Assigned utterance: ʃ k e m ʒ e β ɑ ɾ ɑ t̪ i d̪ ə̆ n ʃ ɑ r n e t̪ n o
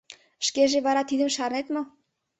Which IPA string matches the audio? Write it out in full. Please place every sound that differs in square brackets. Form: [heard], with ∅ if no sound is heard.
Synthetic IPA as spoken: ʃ k e [∅] ʒ e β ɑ ɾ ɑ t̪ i d̪ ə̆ [m] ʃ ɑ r n e t̪ [m] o